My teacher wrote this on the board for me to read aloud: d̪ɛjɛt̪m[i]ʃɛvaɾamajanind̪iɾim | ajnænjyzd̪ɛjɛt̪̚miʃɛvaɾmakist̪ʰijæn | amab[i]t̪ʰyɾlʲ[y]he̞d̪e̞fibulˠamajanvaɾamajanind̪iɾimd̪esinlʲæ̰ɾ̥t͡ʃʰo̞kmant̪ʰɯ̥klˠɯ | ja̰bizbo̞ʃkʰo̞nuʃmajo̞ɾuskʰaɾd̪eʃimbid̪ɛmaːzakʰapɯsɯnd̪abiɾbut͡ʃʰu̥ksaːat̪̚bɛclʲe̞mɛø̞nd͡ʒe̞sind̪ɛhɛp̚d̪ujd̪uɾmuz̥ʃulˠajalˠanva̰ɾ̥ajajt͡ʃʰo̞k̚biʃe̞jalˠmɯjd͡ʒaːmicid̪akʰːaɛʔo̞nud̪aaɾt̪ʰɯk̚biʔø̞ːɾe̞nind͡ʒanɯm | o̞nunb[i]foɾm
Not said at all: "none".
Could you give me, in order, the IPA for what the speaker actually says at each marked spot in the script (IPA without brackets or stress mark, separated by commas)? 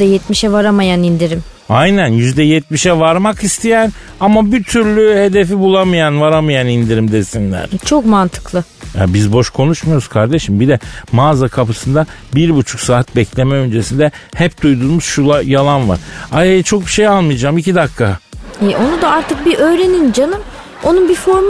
i, i, y, i